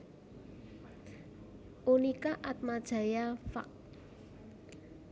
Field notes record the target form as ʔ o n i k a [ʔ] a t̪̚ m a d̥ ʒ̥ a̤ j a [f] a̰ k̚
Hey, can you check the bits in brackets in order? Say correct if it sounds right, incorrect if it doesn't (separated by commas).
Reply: correct, correct